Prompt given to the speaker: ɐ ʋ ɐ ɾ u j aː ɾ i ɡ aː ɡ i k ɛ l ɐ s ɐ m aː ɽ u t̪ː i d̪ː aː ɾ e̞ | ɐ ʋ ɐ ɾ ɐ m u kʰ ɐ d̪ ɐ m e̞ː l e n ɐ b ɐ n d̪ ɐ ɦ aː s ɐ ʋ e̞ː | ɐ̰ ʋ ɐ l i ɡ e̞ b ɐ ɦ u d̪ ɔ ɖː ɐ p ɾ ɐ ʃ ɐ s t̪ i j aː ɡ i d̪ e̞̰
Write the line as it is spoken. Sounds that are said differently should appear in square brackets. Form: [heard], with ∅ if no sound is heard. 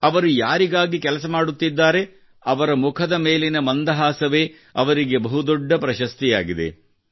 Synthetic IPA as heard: ɐ ʋ ɐ ɾ u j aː ɾ i ɡ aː ɡ i k ɛ l ɐ s ɐ m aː ɽ u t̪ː i d̪ː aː ɾ e̞ | ɐ ʋ ɐ ɾ ɐ m u kʰ ɐ d̪ ɐ m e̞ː l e n ɐ [m] ɐ n d̪ ɐ ɦ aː s ɐ ʋ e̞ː | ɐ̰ ʋ ɐ [ɾ] i ɡ e̞ b ɐ ɦ u d̪ ɔ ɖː ɐ p ɾ ɐ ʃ ɐ s t̪ i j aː ɡ i d̪ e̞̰